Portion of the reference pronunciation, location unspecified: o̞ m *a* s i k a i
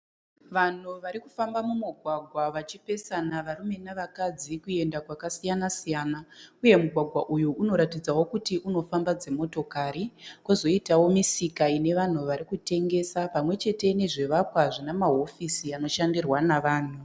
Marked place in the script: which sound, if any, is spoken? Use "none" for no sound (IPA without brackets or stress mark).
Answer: i